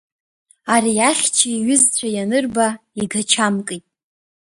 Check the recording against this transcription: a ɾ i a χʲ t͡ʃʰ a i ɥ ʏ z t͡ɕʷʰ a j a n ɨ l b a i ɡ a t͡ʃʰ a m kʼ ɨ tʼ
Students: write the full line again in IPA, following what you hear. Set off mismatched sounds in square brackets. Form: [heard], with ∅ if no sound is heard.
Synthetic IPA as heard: a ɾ i a χʲ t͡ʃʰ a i ɥ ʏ z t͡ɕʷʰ a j a n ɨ [r] b a i ɡ a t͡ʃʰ a m kʼ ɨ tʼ